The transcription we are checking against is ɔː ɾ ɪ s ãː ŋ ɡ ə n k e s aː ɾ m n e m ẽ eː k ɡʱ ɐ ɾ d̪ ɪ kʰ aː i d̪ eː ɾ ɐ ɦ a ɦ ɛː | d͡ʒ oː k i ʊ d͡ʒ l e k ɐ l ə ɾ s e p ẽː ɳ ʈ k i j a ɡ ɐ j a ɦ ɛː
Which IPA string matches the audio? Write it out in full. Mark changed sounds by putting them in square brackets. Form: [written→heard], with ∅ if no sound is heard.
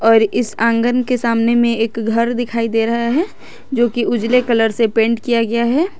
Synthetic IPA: ɔː ɾ ɪ s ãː ŋ ɡ ə n k e s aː [ɾ→∅] m n e m ẽ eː k ɡʱ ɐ ɾ d̪ ɪ kʰ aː i d̪ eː ɾ ɐ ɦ a ɦ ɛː | d͡ʒ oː k i ʊ d͡ʒ l e k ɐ l ə ɾ s e p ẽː ɳ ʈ k i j a ɡ ɐ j a ɦ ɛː